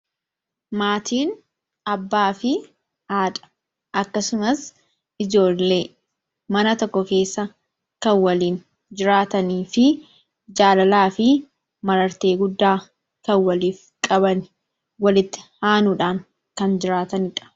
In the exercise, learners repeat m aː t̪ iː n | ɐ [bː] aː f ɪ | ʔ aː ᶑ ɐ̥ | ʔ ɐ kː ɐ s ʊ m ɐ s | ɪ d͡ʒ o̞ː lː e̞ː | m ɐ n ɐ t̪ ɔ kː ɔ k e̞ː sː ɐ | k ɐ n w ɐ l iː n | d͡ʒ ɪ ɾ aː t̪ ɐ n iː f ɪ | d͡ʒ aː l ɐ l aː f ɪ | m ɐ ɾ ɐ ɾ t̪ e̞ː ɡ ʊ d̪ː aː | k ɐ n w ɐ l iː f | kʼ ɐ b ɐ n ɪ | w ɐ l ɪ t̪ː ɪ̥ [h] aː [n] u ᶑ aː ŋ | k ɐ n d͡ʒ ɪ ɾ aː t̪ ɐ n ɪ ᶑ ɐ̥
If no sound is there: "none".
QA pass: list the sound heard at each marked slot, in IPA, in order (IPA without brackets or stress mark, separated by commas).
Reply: bː, h, n